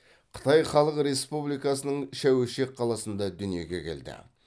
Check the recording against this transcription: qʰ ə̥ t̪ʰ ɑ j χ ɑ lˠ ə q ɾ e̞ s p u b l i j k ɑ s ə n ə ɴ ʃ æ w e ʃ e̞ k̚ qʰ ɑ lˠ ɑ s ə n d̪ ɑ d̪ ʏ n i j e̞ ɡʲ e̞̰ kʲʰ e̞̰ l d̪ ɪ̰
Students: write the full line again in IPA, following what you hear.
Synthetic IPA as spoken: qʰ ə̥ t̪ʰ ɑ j χ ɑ lˠ ə q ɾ e̞ s p u b l i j k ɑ s ə n ə ɴ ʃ æ w e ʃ e̞ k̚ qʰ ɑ lˠ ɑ s ə n d̪ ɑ d̪ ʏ n i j e̞ ɡʲ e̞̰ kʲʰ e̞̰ l d̪ ɪ̰